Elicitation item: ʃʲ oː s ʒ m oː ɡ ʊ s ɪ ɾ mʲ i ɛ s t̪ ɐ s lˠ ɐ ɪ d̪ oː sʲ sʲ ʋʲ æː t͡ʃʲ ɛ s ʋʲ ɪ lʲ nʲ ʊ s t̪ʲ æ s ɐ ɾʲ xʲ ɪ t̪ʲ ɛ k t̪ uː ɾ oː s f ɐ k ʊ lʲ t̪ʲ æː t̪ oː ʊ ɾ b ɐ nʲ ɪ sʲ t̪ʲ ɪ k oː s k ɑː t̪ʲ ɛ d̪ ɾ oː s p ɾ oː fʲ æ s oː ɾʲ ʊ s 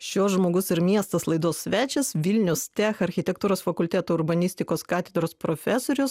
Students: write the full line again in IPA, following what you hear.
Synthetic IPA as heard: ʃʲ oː s ʒ m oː ɡ ʊ s ɪ ɾ mʲ i ɛ s t̪ ɐ s lˠ ɐ ɪ d̪ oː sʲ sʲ ʋʲ æː t͡ʃʲ ɛ s ʋʲ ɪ lʲ nʲ ʊ s t̪ʲ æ x ɐ ɾʲ xʲ ɪ t̪ʲ ɛ k t̪ uː ɾ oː s f ɐ k ʊ lʲ t̪ʲ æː t̪ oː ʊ ɾ b ɐ nʲ ɪ sʲ t̪ʲ ɪ k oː s k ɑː t̪ʲ ɛ d̪ ɾ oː s p ɾ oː fʲ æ s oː ɾʲ ʊ s